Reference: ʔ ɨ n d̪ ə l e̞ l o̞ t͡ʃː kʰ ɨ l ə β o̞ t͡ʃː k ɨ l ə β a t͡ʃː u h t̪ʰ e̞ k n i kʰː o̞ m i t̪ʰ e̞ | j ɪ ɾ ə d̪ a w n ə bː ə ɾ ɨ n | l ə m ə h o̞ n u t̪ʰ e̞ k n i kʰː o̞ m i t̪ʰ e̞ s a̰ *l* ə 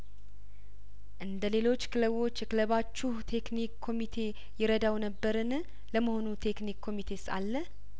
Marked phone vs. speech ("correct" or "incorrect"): incorrect